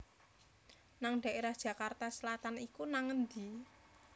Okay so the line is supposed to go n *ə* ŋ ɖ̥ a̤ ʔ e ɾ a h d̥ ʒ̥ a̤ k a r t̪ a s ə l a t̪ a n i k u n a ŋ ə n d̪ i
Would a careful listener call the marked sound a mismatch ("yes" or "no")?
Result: yes